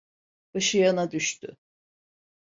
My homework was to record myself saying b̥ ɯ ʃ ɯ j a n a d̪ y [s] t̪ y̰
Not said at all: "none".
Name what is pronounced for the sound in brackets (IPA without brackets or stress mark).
ʃ